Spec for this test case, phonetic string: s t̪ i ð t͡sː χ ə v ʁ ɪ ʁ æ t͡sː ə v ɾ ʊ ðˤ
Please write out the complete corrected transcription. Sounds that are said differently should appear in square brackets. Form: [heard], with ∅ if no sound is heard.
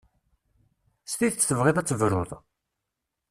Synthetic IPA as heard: s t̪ i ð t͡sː [θ] ə v ʁ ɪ [ð] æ t͡sː ə v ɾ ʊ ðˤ